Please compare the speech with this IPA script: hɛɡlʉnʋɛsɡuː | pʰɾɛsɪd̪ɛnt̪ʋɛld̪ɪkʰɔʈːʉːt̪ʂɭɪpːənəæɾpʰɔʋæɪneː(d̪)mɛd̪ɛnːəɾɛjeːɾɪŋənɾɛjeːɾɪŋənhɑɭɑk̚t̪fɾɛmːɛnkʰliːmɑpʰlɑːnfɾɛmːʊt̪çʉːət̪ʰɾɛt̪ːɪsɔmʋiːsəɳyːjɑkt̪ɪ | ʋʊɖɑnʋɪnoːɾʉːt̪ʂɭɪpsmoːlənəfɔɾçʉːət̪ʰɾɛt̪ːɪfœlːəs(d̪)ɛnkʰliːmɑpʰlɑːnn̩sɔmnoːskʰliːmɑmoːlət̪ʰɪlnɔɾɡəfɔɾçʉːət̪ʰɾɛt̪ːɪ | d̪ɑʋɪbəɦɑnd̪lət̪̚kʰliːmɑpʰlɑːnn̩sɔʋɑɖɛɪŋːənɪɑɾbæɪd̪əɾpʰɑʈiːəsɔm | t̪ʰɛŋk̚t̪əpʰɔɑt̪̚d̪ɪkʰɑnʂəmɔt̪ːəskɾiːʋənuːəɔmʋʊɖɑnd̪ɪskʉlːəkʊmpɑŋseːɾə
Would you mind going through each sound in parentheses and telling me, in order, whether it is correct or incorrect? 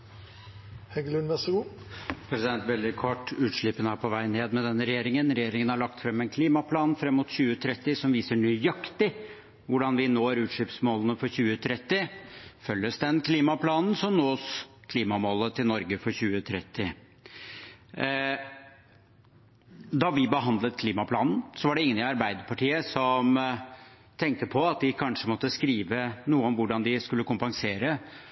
correct, correct

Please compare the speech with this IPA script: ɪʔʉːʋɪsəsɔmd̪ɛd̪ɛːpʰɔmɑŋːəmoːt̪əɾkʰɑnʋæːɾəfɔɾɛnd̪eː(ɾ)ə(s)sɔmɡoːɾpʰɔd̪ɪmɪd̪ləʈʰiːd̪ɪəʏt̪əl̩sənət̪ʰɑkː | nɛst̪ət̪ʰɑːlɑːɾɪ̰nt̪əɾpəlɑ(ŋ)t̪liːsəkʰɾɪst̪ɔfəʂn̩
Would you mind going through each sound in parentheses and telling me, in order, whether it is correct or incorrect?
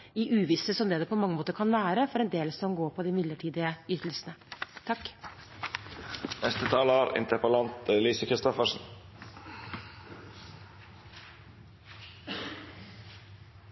incorrect, correct, incorrect

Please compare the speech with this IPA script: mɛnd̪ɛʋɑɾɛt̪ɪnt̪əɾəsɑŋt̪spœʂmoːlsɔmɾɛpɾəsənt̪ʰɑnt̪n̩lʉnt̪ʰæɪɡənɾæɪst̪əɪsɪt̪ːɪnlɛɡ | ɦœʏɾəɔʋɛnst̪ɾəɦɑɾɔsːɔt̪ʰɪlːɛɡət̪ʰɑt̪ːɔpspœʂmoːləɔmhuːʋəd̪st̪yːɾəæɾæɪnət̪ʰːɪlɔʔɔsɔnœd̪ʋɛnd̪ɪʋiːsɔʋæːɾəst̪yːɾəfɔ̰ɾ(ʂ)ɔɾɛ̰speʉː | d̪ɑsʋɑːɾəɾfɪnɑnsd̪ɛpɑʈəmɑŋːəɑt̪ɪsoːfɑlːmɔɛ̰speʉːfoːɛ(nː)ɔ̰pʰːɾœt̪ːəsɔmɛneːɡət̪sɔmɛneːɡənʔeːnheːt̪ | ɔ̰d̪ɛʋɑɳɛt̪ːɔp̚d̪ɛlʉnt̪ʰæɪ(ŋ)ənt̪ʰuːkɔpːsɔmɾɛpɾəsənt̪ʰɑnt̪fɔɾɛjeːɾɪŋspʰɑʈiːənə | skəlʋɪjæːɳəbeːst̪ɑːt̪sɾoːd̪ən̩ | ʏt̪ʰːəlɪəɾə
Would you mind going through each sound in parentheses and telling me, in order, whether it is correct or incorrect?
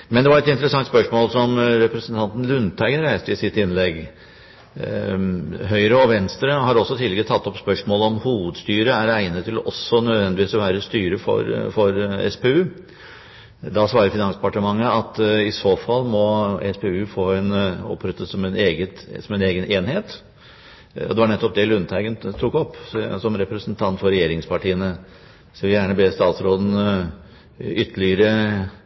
incorrect, incorrect, incorrect

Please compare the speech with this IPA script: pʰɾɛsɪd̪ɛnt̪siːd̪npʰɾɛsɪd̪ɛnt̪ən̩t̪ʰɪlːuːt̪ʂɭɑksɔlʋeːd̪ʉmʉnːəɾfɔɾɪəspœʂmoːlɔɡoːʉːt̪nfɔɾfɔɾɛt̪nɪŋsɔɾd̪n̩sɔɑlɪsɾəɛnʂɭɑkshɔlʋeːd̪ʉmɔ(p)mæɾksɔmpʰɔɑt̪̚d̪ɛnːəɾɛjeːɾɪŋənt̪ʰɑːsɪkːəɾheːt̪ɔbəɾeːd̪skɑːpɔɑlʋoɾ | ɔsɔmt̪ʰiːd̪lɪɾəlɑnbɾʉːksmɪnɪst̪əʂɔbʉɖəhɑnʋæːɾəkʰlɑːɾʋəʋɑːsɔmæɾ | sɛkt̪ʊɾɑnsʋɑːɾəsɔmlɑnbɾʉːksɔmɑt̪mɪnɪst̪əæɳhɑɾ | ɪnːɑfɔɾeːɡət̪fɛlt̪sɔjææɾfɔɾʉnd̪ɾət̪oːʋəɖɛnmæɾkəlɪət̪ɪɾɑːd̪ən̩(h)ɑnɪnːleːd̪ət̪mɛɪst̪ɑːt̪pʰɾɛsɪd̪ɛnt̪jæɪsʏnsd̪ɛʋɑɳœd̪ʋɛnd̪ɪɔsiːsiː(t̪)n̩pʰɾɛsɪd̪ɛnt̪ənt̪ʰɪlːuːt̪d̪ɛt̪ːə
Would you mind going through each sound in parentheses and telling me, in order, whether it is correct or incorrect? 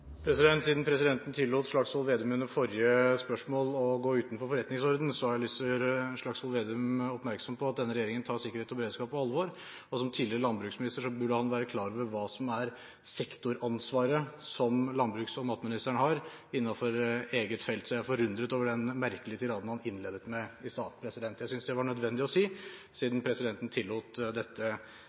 correct, correct, incorrect

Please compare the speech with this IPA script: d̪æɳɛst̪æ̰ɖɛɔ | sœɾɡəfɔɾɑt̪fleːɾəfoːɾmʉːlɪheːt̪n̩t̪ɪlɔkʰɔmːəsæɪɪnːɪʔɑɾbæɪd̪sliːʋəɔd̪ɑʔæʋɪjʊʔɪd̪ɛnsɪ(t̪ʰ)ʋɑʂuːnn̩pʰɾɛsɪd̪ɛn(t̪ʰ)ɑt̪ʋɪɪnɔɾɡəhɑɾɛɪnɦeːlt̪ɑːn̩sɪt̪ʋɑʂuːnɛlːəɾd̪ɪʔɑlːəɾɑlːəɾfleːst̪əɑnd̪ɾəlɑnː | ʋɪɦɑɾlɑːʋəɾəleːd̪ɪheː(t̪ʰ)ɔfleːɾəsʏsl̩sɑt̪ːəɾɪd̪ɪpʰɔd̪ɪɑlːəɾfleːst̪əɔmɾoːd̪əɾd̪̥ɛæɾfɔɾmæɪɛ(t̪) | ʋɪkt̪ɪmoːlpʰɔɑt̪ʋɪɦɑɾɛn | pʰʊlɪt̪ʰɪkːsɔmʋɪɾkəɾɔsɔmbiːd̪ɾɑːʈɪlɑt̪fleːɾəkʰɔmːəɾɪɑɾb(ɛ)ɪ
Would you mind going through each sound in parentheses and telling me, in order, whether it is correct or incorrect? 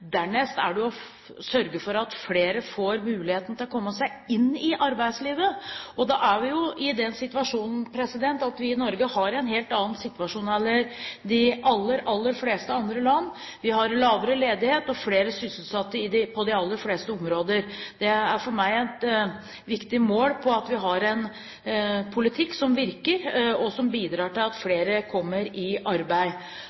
incorrect, incorrect, incorrect, correct, incorrect

